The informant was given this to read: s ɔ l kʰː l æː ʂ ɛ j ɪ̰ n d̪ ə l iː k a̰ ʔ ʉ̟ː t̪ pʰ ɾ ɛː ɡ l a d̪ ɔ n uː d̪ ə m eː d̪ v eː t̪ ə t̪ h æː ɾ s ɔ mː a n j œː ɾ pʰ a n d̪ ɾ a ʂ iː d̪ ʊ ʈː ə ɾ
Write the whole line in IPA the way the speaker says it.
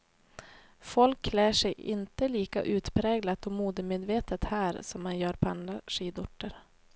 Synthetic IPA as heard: f ɔ l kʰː l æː ʂ ɛ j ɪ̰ n t̪ ə l iː k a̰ ʔ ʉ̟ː t̪ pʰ ɾ ɛː ɡ l a t̪ ɔ m uː d̪ ə m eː d̪ v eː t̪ ə t̪ h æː ɾ s ɔ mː a n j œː ɾ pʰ a n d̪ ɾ a ʂ iː d̪ ʊ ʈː ə ɾ